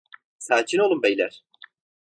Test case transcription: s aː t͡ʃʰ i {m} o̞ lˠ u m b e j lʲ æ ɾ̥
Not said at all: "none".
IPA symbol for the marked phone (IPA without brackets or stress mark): n